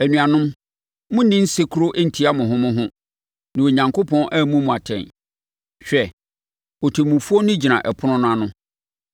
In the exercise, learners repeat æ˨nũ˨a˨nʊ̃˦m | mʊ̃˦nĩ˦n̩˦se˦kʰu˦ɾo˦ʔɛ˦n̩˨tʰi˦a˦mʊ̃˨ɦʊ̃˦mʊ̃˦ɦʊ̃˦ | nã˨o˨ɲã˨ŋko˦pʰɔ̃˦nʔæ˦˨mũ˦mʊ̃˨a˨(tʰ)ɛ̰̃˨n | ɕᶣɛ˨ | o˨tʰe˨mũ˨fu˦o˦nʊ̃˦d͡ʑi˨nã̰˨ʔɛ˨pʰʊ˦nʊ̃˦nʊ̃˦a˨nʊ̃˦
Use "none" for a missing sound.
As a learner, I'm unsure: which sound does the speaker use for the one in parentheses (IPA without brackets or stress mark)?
tʰ